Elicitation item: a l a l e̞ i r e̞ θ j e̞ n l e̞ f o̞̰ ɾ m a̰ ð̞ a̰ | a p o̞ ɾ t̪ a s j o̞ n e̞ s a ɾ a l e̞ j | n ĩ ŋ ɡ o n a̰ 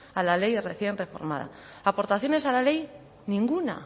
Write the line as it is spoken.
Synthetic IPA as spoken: a l a l e̞ j r e̞ θ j e̞ n r e̞ f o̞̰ ɾ m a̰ ð̞ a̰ | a p o̞ ɾ t̪ a θ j o̞ n e̞ s a l a l e̞ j | n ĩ ŋ ɡ u n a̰